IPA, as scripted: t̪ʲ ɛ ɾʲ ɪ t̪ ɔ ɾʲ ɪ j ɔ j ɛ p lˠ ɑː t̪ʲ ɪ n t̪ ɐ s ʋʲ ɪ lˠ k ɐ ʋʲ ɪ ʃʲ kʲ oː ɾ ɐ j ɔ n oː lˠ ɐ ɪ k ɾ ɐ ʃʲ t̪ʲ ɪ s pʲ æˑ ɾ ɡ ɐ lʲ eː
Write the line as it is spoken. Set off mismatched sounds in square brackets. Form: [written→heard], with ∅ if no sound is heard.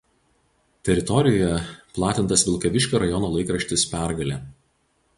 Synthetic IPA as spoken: t̪ʲ ɛ ɾʲ ɪ t̪ ɔ ɾʲ ɪ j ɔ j ɛ p lˠ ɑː t̪ʲ ɪ n t̪ ɐ s ʋʲ ɪ lˠ k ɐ ʋʲ ɪ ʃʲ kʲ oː ɾ ɐ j ɔ n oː lˠ ɐ ɪ k ɾ ɐ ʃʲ t̪ʲ ɪ s pʲ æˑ ɾ ɡ ɐ lʲ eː